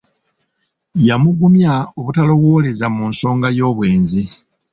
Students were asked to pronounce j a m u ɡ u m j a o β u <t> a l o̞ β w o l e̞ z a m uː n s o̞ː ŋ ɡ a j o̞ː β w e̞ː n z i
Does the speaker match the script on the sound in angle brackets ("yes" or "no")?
yes